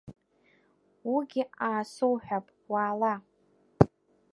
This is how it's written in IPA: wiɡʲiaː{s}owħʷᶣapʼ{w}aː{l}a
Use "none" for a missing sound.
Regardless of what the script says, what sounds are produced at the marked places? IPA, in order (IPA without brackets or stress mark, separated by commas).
s, w, l